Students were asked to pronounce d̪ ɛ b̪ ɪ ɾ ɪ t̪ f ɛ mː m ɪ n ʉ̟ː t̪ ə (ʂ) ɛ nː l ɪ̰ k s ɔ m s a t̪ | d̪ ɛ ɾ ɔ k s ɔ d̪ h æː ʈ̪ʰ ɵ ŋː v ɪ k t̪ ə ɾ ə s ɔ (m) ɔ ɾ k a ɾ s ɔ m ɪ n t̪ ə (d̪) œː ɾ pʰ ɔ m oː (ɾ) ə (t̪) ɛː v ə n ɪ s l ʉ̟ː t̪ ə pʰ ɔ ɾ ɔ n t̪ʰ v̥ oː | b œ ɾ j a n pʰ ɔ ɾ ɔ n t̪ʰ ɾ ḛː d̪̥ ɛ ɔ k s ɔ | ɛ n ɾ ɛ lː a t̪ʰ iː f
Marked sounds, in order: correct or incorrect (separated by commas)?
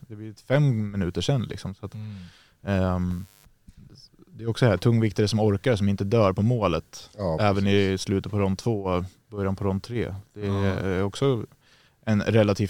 correct, correct, correct, incorrect, correct